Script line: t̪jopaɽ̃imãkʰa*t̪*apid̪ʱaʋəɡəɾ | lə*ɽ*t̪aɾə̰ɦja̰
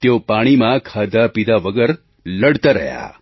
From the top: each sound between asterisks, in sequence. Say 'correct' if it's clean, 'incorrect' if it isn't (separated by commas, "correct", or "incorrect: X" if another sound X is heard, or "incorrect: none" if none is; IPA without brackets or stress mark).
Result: incorrect: d̪, correct